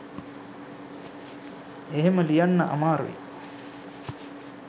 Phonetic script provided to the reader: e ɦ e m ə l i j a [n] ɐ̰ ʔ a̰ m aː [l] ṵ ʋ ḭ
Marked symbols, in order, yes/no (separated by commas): no, no